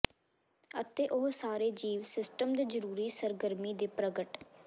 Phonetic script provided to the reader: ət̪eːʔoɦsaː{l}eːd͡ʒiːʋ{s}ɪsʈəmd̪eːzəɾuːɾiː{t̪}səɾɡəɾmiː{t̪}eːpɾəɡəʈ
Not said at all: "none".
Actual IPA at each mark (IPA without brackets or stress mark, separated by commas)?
ɾ, s, none, d̪